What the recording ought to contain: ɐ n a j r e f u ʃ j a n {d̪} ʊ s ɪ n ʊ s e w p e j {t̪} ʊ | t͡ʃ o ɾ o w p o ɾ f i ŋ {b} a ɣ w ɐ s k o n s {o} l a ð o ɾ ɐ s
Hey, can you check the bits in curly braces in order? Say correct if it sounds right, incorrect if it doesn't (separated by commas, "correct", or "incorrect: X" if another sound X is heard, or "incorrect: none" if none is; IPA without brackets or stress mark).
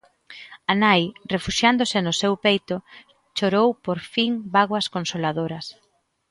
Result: correct, correct, correct, correct